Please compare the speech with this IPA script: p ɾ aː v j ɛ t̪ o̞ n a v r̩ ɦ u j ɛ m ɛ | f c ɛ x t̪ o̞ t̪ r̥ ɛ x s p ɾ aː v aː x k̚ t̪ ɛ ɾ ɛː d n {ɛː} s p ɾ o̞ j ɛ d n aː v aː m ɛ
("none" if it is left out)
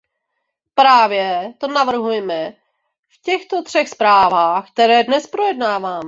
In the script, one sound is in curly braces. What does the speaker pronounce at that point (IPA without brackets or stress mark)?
ɛ